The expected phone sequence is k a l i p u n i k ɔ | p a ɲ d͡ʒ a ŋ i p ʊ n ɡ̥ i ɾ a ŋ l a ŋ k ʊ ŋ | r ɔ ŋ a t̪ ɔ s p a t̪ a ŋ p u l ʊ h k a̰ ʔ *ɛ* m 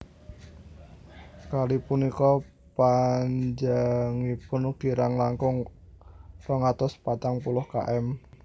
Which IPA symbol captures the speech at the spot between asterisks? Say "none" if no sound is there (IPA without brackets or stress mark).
ɛ